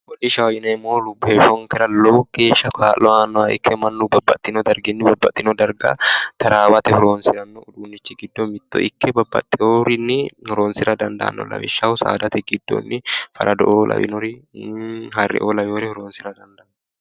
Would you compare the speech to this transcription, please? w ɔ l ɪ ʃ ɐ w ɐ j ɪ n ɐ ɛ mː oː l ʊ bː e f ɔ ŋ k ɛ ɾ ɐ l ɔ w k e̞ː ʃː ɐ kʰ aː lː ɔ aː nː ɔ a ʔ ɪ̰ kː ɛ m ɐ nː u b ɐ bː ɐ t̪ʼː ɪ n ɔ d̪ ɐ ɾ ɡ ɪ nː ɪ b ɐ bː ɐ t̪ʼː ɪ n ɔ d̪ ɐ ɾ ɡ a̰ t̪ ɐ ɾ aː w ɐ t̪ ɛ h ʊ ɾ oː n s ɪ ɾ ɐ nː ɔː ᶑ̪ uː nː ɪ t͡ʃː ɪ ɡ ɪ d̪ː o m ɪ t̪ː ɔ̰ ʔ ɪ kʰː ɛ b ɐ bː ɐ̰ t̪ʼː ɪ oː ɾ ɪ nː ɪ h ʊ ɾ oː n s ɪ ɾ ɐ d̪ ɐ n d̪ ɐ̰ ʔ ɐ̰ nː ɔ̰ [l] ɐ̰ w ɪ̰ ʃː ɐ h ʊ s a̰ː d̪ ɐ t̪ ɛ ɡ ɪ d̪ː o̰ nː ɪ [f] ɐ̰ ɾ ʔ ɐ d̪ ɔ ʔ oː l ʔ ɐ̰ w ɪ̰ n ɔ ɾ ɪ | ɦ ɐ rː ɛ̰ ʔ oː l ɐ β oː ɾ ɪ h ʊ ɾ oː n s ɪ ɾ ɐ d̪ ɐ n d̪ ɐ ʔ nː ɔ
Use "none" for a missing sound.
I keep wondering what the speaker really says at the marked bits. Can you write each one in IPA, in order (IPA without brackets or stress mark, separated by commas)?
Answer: l, f